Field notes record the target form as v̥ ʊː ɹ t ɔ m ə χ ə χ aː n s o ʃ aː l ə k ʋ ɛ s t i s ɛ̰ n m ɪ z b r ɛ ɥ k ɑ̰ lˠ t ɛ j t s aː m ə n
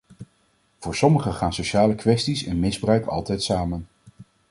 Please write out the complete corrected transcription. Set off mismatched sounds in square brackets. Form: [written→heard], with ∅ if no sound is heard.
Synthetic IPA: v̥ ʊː ɹ [t→s] ɔ m ə χ ə χ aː n s o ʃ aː l ə k ʋ ɛ s t i s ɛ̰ n m ɪ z b r [ɛ→œ] ɥ k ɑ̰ lˠ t ɛ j t s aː m ə n

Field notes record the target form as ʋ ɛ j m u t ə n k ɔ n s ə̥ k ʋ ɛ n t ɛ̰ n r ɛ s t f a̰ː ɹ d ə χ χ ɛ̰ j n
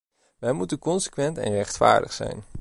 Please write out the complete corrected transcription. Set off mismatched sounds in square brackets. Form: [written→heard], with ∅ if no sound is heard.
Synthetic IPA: ʋ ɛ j m u t ə n k ɔ n s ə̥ k ʋ ɛ n t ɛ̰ n r ɛ [s→χ] t f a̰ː ɹ d ə χ [χ→s] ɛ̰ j n

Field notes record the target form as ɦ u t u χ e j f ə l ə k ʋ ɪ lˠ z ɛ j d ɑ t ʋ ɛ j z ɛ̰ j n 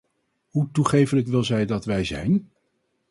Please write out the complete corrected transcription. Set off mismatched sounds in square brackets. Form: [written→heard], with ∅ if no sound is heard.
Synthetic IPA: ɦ u t u χ e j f ə l ə k ʋ ɪ lˠ z ɛ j d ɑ t ʋ ɛ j z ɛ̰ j n

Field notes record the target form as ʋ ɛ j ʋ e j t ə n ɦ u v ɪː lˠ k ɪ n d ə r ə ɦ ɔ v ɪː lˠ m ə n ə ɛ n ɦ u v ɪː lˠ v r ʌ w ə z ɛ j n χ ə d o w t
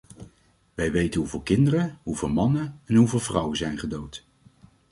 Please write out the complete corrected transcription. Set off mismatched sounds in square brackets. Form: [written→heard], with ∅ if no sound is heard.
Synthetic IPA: ʋ ɛ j ʋ e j t ə n ɦ u v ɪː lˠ k ɪ n d ə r ə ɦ [ɔ→u] v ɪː lˠ m [ə→ɑ] n ə ɛ n ɦ u v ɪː lˠ v r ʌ w ə z ɛ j n χ ə d o w t

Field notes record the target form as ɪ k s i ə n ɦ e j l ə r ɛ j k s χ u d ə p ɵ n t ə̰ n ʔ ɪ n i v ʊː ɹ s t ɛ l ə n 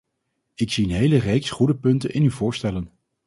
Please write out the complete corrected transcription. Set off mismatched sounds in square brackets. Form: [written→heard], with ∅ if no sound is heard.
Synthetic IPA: ɪ k s i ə n ɦ e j l ə r [ɛ→e] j k s χ u d ə p ɵ n t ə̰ n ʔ ɪ n [i→y] v ʊː ɹ s t ɛ l ə n

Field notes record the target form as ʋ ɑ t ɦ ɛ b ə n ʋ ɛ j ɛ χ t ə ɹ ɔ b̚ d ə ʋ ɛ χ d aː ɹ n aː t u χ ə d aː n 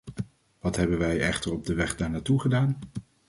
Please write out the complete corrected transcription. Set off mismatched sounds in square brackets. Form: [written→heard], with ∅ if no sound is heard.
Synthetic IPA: ʋ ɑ t ɦ ɛ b ə n ʋ ɛ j ɛ χ t ə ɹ ɔ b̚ d ə ʋ ɛ χ d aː ɹ n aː t u χ ə d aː n

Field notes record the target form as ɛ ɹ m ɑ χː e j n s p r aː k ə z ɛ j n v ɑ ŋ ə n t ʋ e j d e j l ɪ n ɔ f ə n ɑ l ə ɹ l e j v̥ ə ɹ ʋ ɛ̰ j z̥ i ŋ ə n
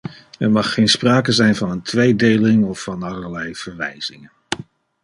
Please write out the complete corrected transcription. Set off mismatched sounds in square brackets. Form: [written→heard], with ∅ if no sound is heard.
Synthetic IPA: ɛ ɹ m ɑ χː e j n s p r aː k ə z ɛ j n v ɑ [ŋ→n] ə n t ʋ e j d e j l ɪ [n→ŋ] ɔ f [ə→ɑ] n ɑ l ə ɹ l [e→ɛ] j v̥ ə ɹ ʋ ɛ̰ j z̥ [i→ɪ] ŋ ə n

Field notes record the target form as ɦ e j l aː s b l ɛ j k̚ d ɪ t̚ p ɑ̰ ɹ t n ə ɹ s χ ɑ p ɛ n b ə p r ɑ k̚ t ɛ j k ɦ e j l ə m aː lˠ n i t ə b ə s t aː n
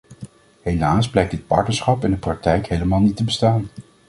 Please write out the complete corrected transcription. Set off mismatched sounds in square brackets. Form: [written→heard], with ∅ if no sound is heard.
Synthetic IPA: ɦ e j l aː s b l ɛ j k̚ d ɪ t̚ p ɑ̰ ɹ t n ə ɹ s χ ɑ p ɛ n [b→d] ə p r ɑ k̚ t ɛ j k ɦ e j l ə m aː lˠ n i t ə b ə s t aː n

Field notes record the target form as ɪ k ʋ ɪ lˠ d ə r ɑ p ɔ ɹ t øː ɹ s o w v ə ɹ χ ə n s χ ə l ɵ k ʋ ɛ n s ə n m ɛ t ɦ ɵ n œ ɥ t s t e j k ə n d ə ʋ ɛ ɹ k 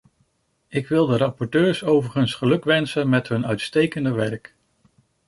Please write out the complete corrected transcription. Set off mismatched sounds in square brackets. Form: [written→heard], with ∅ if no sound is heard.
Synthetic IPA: ɪ k ʋ ɪ lˠ d ə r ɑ p ɔ ɹ t øː ɹ s o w v ə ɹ χ ə n s χ ə l ɵ k ʋ ɛ n s ə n m ɛ t ɦ ɵ n œ ɥ t s t e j k ə n d ə ʋ ɛ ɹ k

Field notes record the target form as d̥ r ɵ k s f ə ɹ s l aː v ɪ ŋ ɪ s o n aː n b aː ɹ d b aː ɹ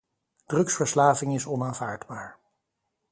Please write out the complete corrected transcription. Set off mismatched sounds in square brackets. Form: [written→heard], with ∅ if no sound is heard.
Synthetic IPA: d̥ r ɵ k s f ə ɹ s l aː v ɪ ŋ ɪ s [o→ɔ] n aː n [b→v] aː ɹ d b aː ɹ

